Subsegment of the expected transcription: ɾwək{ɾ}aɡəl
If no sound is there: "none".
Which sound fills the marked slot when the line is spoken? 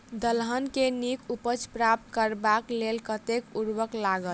l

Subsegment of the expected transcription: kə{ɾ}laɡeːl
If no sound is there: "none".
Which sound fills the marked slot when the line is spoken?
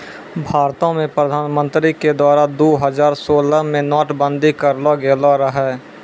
ɾ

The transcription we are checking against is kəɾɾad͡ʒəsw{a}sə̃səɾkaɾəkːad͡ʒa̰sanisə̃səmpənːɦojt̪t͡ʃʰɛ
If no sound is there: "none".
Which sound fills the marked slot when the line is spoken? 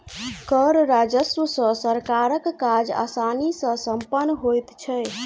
ə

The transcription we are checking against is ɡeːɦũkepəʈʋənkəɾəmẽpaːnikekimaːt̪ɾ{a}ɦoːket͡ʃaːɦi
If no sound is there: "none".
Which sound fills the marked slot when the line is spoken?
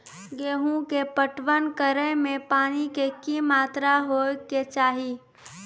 a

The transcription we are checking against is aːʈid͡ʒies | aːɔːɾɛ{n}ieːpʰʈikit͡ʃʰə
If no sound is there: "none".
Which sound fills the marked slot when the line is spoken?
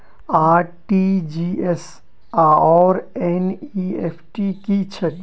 n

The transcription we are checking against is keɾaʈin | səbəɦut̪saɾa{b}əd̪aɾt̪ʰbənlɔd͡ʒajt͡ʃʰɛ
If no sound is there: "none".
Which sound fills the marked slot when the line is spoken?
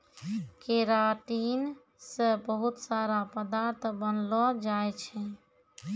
p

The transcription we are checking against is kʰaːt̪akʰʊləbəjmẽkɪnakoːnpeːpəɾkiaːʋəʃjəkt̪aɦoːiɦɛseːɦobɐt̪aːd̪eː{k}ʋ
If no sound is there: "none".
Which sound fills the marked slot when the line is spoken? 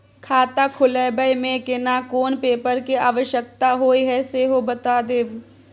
none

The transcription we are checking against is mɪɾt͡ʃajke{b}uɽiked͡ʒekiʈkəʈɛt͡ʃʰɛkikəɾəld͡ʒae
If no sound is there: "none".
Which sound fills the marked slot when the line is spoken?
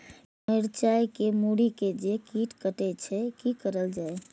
m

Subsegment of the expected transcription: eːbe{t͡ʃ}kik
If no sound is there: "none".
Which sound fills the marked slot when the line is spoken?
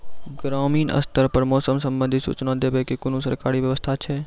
none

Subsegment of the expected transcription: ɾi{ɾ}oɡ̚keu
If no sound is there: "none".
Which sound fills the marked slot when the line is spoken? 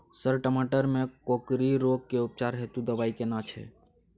ɾ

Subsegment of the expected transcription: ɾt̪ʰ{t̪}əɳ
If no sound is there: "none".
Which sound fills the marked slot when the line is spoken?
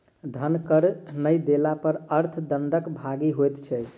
d̪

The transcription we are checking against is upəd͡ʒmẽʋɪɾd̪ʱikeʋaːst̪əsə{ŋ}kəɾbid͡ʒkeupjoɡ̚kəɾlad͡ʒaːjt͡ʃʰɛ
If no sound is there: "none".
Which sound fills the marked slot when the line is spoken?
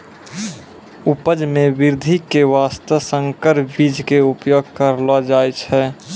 ŋ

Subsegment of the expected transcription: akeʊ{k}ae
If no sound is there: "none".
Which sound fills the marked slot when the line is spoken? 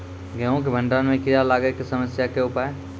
p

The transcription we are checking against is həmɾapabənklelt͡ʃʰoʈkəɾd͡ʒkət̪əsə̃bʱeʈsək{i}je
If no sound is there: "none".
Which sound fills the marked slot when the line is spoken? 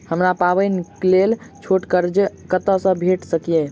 i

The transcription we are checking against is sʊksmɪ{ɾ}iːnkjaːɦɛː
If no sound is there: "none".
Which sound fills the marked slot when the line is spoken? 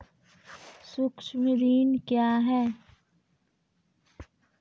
ɾ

